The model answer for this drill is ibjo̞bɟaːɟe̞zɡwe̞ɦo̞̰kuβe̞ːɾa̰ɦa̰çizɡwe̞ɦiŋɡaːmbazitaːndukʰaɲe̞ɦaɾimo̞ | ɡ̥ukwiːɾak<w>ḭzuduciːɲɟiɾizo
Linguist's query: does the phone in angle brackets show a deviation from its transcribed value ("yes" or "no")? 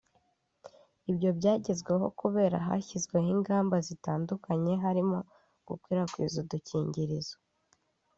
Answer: no